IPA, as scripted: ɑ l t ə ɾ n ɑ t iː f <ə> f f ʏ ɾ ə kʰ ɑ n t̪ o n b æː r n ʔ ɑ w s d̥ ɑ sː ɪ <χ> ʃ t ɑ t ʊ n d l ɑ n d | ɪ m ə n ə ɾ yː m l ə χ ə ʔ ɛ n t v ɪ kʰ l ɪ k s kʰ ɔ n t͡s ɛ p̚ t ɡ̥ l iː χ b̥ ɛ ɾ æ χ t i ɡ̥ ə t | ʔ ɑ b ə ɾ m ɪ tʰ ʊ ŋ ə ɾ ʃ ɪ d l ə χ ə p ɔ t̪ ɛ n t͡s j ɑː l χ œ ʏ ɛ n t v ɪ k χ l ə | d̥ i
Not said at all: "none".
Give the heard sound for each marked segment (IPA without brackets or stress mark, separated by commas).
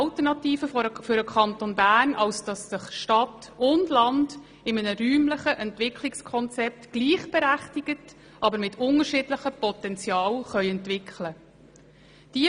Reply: ə, χ